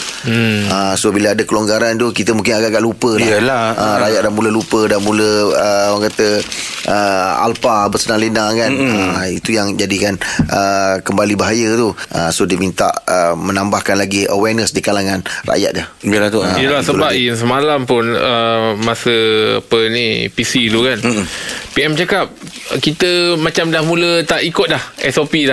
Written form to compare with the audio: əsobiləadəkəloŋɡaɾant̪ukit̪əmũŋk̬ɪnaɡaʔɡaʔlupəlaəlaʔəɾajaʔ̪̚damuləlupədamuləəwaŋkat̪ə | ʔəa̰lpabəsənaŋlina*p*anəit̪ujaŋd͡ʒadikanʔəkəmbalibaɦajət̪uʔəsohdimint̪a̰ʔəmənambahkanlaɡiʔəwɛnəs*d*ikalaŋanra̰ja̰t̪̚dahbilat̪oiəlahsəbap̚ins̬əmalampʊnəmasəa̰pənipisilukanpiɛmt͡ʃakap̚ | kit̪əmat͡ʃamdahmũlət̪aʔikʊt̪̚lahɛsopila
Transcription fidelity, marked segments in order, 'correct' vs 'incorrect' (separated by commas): incorrect, correct